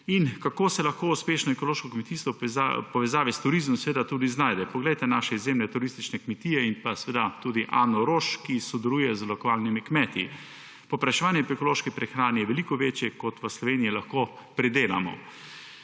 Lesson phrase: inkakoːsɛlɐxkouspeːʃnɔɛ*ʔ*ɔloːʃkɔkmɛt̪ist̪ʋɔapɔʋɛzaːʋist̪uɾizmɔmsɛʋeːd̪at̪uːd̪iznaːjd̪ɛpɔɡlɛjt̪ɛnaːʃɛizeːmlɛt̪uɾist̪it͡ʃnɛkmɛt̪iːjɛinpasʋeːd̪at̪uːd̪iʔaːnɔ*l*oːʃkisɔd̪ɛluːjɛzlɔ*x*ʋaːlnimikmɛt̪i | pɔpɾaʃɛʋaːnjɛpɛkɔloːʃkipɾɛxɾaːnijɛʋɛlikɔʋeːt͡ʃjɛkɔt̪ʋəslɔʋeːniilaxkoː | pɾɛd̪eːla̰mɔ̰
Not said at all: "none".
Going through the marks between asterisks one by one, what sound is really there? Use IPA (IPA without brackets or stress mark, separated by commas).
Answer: k, ɾ, k